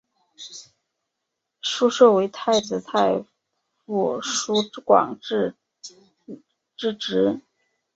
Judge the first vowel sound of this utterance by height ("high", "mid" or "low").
high